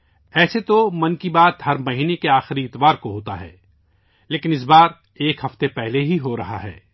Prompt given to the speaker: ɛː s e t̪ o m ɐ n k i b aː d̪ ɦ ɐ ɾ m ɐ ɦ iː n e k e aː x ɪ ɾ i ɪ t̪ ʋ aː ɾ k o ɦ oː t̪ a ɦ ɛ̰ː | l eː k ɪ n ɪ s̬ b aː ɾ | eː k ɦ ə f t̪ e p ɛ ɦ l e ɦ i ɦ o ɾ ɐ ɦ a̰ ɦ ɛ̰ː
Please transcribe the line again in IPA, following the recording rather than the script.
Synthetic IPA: ɛː s e t̪ o m ɐ n k i b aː t̪ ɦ ɐ ɾ m ɐ ɦ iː n e k e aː x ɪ ɾ i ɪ t̪ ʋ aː ɾ k o ɦ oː t̪ a ɦ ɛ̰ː | l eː k ɪ n ɪ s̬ b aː ɾ | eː k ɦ ɐ f t̪ e p ɛ ɦ l e ɦ i ɦ o ɾ ɐ ɦ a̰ ɦ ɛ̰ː

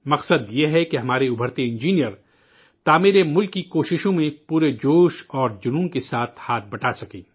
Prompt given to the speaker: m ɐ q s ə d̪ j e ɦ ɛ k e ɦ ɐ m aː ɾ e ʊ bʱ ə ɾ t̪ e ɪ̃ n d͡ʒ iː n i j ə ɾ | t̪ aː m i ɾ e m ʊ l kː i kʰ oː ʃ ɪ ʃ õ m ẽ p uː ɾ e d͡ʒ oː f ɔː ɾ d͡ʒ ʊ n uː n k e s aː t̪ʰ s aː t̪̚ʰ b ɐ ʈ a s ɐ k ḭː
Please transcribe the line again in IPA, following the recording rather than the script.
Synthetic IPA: m ɐ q s ə d̪ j e ɦ ɛ k e ɦ ɐ m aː ɾ e ʊ bʱ ə ɾ t̪ e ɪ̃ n d͡ʒ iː n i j ə ɾ | t̪ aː m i ɾ e m ʊ l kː i k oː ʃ ɪ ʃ õ m ẽ p uː ɾ e d͡ʒ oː ʃ ɔː ɾ d͡ʒ ʊ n uː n k e s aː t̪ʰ h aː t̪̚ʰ b ɐ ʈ a s ɐ k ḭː

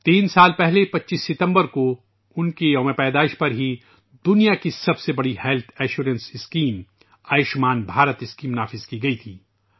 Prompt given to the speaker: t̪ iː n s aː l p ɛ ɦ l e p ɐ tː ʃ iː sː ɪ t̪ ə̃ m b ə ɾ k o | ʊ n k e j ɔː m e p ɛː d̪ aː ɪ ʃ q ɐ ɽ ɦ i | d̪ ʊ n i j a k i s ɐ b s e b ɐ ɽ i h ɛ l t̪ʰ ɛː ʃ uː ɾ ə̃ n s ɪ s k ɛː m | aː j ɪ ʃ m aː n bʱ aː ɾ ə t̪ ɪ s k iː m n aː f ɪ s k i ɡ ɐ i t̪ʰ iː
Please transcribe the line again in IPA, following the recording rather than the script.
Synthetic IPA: t̪ iː n s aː l p ɛ ɦ l e p ɐ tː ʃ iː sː ɪ t̪ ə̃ m b ə ɾ k o | ʊ n k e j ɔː m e p ɛː d̪ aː ɪ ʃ p ɐ ɾ ɦ i | d̪ ʊ n i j a k i s ɐ b s e b ɐ ɽ i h ɛ l t̪ʰ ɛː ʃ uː ɾ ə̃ n s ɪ s k iː m | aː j ɪ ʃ m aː n bʱ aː ɾ ə t̪ ɪ s k iː m n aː f ɪ z k i ɡ ɐ i t̪ʰ iː

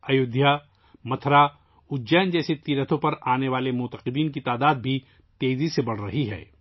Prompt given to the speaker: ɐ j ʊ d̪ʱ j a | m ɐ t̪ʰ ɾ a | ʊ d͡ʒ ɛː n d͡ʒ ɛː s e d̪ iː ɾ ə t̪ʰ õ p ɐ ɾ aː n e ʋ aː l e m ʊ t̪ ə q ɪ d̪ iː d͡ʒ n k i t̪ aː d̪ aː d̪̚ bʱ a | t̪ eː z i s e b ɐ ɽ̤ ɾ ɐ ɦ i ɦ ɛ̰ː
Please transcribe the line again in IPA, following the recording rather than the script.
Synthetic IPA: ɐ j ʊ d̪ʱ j a | m ɐ t̪ʰ ɾ a | ʊ d͡ʒ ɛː n d͡ʒ ɛː s e t̪ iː ɾ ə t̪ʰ õ p ɐ ɾ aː n e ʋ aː l e m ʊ t̪ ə q ɪ d̪ iː n k i t̪ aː d̪ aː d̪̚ bʱ i | t̪ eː z i s e b ɐ ɽ̤ ɾ ɐ ɦ i ɦ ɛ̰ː

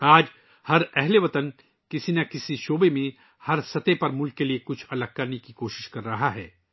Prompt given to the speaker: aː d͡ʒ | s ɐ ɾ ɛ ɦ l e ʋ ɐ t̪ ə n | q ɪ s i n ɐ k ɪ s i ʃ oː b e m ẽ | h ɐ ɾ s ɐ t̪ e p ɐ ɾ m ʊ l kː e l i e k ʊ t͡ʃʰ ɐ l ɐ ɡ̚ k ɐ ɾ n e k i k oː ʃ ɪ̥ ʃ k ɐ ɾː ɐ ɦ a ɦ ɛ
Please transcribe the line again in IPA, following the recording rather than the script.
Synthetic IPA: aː d͡ʒ | h ɐ ɾ ɛ ɦ l e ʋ ɐ t̪ ə n | k ɪ s i n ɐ k ɪ s i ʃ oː b e m ẽ | h ɐ ɾ s ɐ t̪ e p ɐ ɾ m ʊ l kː e l i e k ʊ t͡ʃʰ ɐ l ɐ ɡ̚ k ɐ ɾ n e k i k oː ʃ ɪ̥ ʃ k ɐ ɾː ɐ ɦ a ɦ ɛː

